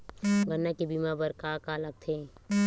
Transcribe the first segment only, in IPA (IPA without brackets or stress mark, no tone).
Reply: ɡ